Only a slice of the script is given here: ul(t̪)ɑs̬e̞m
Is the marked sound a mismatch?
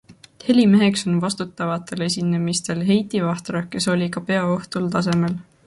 no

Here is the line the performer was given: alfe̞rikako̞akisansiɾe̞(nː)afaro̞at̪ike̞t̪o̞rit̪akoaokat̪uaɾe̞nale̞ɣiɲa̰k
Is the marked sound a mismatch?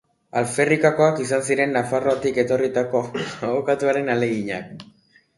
no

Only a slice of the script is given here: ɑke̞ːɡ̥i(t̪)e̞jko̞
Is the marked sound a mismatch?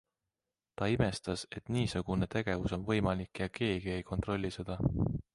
yes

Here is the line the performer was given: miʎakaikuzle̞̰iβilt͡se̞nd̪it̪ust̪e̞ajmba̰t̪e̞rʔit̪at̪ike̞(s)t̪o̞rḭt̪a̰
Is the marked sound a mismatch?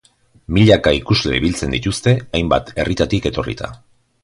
yes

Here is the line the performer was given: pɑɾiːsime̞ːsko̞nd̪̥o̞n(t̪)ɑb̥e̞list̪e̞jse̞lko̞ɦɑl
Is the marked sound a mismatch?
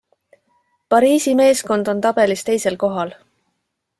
no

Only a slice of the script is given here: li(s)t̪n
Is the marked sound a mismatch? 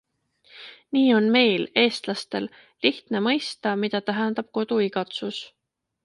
yes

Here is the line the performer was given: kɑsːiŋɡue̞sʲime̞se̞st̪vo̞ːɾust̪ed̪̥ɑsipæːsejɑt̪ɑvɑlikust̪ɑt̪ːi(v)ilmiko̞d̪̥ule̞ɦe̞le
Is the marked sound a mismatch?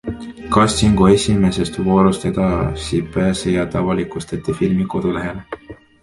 yes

